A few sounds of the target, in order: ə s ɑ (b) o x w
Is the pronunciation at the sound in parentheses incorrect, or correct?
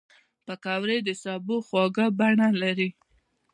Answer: correct